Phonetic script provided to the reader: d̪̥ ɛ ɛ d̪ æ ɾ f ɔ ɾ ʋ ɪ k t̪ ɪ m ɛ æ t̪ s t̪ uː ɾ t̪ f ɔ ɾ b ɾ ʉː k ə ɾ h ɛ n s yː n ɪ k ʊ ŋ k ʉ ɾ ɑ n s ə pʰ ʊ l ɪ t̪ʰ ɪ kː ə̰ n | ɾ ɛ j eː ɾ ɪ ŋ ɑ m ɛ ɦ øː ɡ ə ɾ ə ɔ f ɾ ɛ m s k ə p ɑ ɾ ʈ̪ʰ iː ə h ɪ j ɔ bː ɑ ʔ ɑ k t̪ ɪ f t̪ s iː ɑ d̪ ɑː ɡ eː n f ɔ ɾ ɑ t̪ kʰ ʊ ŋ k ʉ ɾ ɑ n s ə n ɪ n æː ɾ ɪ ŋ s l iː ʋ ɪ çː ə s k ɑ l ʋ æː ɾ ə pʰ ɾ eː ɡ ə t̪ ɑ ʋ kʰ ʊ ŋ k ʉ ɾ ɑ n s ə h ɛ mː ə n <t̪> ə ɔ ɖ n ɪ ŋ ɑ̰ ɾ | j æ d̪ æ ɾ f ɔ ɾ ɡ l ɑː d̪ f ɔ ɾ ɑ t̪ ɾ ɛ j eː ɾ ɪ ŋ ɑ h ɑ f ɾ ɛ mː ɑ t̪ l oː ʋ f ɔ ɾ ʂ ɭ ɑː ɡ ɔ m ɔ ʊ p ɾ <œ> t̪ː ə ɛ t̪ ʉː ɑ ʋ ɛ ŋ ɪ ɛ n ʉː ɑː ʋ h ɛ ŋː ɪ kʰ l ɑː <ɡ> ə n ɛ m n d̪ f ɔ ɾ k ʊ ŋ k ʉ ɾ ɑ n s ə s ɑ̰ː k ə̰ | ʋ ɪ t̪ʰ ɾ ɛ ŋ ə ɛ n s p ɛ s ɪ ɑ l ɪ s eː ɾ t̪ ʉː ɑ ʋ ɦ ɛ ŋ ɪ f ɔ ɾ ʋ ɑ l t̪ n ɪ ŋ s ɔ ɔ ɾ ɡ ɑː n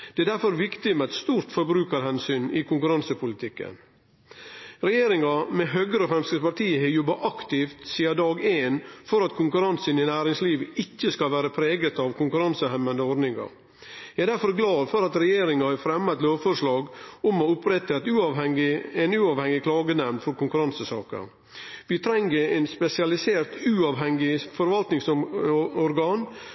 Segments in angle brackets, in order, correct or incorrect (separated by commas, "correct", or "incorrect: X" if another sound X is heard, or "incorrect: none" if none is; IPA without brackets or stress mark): incorrect: d̪, incorrect: ɛ, correct